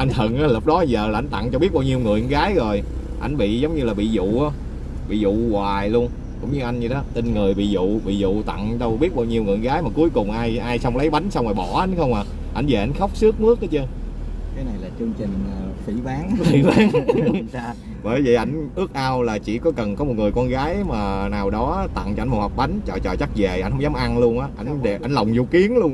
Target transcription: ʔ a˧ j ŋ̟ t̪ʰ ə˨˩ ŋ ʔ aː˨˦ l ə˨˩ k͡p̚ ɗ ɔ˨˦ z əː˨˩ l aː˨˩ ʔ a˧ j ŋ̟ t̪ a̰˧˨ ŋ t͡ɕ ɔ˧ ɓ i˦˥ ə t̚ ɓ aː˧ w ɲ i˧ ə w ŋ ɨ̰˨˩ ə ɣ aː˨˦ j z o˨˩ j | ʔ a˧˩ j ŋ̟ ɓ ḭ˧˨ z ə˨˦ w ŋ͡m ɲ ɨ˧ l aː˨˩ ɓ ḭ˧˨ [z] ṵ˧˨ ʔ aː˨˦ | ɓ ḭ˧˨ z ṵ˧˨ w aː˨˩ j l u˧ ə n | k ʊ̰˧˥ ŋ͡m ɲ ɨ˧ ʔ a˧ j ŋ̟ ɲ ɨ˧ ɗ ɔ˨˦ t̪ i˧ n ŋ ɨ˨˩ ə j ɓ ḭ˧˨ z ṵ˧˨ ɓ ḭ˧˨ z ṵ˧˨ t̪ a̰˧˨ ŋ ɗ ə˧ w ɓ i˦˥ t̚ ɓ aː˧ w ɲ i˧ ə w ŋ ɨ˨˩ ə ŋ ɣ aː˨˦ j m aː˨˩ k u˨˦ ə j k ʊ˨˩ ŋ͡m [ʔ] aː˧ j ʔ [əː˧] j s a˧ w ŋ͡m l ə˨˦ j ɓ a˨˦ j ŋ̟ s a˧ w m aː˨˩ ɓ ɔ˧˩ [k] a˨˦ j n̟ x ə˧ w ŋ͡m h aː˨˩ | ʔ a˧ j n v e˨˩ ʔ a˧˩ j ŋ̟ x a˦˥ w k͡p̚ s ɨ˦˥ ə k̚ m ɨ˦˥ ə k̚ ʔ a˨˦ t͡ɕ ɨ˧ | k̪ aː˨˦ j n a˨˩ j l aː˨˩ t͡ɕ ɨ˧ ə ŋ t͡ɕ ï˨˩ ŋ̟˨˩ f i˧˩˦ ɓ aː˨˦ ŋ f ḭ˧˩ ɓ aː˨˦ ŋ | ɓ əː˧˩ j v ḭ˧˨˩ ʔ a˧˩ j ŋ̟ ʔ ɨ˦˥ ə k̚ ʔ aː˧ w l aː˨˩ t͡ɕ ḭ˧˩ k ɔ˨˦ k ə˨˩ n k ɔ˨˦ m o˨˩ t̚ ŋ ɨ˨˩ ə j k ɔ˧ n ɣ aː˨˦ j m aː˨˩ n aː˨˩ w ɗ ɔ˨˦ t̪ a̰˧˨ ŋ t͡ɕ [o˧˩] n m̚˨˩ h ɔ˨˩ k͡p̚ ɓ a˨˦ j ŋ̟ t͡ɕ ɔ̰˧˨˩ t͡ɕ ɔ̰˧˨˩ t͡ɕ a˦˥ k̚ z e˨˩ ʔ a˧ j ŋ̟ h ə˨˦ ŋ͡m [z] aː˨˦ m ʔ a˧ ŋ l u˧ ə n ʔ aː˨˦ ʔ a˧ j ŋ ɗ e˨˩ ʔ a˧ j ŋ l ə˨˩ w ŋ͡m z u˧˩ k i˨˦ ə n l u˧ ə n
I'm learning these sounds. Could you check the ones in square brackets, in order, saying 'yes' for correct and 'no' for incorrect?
yes, yes, no, no, no, yes

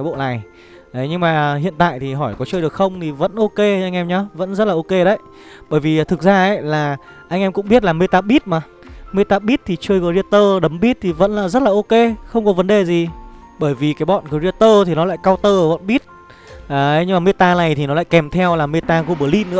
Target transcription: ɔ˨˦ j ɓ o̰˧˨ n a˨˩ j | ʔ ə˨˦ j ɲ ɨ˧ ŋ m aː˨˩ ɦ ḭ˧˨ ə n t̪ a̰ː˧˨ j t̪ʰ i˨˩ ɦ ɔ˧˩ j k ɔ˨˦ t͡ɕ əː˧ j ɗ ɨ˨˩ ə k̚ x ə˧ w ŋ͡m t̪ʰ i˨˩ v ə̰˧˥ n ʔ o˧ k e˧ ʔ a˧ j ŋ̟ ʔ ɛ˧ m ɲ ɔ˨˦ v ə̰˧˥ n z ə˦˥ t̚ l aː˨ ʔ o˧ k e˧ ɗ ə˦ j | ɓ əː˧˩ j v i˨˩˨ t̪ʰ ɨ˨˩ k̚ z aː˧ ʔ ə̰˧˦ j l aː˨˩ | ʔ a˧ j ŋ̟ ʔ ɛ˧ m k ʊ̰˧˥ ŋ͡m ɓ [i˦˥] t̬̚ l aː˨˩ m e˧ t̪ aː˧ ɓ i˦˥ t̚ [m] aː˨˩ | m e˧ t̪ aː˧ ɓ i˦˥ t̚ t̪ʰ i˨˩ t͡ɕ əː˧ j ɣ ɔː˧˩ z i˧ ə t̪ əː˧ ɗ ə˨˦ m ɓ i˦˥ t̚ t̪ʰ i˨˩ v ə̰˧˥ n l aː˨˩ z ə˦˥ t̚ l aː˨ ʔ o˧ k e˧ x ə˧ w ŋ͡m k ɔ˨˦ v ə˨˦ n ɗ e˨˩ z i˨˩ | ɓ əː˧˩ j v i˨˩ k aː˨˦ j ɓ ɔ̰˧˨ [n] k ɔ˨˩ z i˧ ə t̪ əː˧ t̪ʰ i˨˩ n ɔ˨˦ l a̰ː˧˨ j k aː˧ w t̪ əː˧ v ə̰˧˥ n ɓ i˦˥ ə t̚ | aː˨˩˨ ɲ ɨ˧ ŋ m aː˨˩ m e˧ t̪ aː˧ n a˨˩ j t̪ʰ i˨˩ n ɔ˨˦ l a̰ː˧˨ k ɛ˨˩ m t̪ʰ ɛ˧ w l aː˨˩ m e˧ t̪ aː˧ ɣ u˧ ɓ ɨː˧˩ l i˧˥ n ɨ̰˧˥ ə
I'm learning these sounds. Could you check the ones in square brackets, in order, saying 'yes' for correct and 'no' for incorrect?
yes, yes, yes

